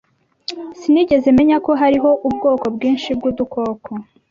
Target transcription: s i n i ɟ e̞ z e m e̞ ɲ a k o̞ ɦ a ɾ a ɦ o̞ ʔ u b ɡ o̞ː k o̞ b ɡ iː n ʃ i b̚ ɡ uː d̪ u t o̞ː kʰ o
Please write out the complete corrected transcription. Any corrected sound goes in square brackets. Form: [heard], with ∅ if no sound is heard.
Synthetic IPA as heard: s i n i ɟ e̞ z e m e̞ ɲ a k o̞ ɦ a ɾ [i] ɦ o̞ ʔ u b ɡ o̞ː k o̞ b ɡ iː n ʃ i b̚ ɡ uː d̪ u [k] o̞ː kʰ o

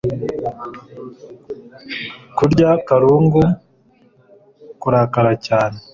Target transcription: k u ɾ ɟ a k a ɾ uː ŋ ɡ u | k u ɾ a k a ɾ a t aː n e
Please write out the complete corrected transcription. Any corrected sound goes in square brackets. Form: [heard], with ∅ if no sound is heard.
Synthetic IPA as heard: k u ɾ ɟ a k a ɾ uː ŋ ɡ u | k u ɾ a k a ɾ a [c] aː n e

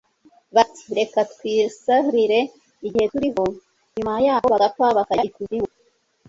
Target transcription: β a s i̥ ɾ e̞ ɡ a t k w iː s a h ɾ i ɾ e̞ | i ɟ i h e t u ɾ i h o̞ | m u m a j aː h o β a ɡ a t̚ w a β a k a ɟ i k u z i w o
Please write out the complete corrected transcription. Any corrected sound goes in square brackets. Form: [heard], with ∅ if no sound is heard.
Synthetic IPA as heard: β a [t] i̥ ɾ e̞ [k] a t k w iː s a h ɾ i ɾ e̞ | i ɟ i h e t u ɾ i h o̞ | [ɲ] u m a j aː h o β a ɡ a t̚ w a β a k a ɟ i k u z i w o

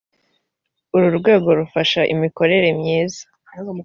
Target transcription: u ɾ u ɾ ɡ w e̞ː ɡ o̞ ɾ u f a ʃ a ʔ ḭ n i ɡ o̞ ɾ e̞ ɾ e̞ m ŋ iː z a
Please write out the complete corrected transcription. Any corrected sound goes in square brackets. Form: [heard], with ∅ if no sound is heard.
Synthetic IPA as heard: u ɾ u ɾ ɡ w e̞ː ɡ o̞ ɾ u f a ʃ a ʔ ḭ [m] i [k] o̞ ɾ e̞ ɾ e̞ m [ɲ] iː z a

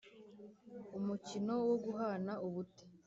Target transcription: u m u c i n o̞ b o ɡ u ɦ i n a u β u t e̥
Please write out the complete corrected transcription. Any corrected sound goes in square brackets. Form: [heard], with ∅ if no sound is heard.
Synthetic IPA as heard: u m u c i n o̞ [w] o ɡ u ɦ [a] n a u β u t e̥

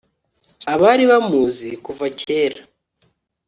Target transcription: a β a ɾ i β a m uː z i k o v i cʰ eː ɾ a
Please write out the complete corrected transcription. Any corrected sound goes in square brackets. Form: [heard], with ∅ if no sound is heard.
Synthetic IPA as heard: a β a ɾ i β a m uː z i k [u] v [a] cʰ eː ɾ a

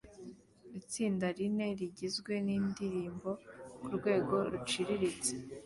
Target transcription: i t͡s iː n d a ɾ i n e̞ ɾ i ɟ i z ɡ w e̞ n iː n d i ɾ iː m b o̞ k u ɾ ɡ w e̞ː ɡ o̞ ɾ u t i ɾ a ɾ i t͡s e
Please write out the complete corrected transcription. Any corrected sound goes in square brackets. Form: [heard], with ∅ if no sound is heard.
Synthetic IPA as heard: i t͡s iː n d a ɾ i n e̞ ɾ i ɟ i z ɡ w e̞ n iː n d i ɾ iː m b o̞ k u ɾ ɡ w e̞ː ɡ o̞ ɾ u [t͡ʃ] i ɾ [i] ɾ i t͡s e

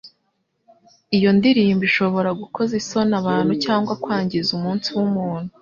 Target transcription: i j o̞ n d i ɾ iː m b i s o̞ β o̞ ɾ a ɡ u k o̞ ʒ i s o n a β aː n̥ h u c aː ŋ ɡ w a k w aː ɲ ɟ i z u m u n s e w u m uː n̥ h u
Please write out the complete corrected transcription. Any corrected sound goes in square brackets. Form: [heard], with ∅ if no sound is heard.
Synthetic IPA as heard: i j o̞ n d i ɾ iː m b i [ʃ] o̞ β o̞ ɾ a ɡ u k o̞ [z] i s o n a β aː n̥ h u c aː ŋ ɡ w a k w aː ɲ ɟ i z u m [uː] n s [i] w u m uː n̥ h u

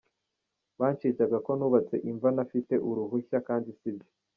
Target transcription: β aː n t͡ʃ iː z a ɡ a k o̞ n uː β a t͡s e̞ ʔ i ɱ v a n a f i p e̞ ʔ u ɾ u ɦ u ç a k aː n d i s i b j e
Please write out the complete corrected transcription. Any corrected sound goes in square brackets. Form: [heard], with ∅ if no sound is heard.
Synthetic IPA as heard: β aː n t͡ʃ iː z a ɡ a k o̞ n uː β a t͡s e̞ ʔ i ɱ v a n a f i [t] e̞ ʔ u ɾ u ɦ u ç a k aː n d i s i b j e

